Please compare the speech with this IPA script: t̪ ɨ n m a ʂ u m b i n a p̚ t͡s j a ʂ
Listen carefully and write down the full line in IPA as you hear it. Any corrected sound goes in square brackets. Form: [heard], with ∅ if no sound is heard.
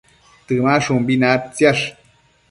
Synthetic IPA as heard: t̪ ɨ [∅] m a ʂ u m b i n a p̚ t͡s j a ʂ